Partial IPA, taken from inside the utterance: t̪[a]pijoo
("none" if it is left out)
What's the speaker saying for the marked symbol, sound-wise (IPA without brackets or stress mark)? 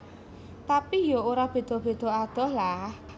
a